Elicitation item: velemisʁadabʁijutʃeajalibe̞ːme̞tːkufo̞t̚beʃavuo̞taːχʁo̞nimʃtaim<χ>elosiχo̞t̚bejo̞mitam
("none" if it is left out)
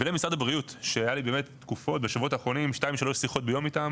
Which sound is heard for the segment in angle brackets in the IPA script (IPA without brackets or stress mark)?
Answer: ʃ